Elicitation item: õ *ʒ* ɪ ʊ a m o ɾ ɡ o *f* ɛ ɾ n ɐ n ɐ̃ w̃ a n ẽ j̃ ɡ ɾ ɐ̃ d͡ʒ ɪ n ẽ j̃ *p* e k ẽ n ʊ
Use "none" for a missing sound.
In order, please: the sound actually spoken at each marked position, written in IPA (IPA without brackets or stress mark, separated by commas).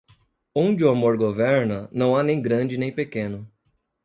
d͡ʒ, v, p